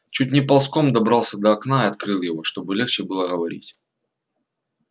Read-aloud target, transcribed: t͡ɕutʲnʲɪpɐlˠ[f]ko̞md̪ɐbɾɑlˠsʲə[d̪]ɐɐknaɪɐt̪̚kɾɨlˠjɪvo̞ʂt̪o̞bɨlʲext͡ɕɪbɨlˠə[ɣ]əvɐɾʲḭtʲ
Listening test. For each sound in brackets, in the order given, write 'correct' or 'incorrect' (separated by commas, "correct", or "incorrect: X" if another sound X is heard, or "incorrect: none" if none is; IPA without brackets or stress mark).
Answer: incorrect: s, correct, correct